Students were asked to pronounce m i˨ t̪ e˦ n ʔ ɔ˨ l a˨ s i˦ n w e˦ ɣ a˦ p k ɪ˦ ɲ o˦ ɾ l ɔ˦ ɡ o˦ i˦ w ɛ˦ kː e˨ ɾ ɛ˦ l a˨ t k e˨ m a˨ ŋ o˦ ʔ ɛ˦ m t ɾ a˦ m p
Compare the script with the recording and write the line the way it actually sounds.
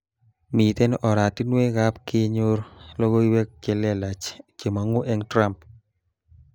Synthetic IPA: m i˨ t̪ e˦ n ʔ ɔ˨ ɾ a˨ t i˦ n w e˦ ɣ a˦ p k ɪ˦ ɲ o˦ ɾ l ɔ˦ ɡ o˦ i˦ w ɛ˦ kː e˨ l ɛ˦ l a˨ t͡ʃ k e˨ m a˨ ŋ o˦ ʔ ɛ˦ ŋ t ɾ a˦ m p

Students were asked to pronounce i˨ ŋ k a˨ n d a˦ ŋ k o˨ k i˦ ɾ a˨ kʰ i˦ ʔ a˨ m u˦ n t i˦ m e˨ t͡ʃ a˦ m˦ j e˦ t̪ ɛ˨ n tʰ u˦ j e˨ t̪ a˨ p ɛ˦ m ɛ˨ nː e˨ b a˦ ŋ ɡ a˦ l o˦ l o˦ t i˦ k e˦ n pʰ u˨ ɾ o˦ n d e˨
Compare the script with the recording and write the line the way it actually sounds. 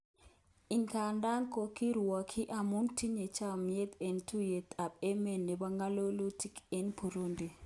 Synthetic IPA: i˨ ŋ k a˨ n d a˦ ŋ k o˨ k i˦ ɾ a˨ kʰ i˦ ʔ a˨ m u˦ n t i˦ ɲ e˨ t͡ʃ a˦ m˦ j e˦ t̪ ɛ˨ n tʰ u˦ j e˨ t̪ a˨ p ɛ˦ m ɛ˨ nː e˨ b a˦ ŋ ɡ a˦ l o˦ l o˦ t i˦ k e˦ n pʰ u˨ ɾ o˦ n d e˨

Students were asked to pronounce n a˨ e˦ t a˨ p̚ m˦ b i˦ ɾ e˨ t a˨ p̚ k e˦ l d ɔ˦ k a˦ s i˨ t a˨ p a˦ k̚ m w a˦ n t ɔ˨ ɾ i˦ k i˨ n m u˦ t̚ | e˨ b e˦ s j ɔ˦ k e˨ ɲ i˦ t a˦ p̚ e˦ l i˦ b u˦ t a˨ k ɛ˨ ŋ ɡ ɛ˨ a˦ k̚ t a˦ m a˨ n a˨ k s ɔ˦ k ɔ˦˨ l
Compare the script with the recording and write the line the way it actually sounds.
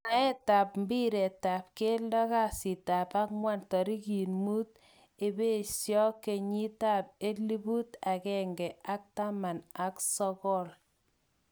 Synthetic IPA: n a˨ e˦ t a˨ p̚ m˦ b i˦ ɾ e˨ t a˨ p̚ k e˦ l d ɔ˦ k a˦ s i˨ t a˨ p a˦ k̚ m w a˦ n t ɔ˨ ɾ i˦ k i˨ n m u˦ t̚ | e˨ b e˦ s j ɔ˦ k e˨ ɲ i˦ t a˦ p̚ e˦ l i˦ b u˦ t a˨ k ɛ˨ ŋ ɡ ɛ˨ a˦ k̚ t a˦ m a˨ n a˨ k s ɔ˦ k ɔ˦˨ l

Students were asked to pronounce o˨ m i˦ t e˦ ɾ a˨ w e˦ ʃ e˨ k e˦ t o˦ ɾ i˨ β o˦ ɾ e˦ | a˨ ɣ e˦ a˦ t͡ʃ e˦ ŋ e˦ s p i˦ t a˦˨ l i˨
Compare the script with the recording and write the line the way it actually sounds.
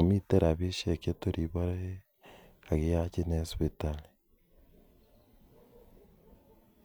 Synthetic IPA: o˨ m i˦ t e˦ ɾ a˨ β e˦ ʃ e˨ k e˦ t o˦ ɾ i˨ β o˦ ɾ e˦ | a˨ ɣ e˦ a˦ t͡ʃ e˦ n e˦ s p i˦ t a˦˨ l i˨

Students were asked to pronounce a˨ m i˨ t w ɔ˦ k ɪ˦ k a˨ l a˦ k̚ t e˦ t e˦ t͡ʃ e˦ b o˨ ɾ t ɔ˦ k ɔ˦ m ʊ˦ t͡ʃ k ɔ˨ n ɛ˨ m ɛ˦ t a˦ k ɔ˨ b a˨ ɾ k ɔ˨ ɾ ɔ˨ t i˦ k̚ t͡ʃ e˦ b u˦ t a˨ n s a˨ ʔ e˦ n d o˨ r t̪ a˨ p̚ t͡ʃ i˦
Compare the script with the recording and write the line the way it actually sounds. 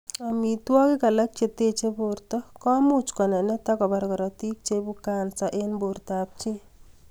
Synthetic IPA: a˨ m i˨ t w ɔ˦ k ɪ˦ k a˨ l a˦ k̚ t͡ʃ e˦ t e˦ t͡ʃ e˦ b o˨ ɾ t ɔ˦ k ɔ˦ m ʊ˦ t͡ʃ k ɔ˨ n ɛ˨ n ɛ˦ t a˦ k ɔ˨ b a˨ ɾ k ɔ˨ ɾ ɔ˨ t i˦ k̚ t͡ʃ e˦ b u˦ k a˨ n s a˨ ʔ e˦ n b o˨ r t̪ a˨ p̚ t͡ʃ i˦

